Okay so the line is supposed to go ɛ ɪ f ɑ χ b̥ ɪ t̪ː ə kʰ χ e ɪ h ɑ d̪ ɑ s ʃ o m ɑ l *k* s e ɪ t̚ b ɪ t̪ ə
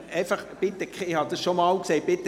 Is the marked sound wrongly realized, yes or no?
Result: no